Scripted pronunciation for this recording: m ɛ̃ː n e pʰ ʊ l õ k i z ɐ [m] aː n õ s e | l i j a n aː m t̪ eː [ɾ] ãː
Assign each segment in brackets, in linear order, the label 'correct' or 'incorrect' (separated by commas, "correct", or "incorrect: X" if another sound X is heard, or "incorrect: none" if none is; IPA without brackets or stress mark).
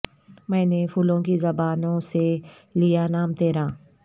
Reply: incorrect: b, correct